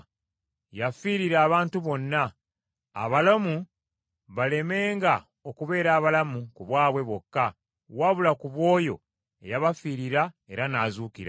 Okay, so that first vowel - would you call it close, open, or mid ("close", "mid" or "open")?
open